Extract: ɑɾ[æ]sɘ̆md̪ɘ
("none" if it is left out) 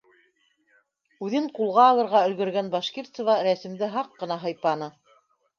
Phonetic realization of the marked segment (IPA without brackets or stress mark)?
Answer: æ